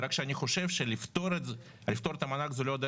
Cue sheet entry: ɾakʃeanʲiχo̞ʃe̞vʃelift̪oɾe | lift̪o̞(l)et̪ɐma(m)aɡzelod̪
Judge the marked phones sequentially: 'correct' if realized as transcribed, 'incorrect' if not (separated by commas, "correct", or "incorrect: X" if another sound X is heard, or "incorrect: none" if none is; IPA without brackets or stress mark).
incorrect: ɾ, incorrect: n